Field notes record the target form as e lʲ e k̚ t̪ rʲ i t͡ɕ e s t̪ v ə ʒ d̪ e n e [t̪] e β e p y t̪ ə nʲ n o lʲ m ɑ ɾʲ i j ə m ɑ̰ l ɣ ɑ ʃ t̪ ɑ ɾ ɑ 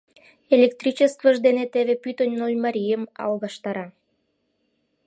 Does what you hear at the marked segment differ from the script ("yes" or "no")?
no